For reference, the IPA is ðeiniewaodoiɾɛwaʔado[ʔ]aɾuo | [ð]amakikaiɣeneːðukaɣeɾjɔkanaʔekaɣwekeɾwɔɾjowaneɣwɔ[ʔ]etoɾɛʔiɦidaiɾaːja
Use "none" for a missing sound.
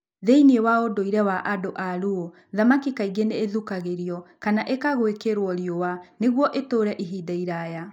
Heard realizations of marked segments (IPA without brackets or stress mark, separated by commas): ʔ, ð, ʔ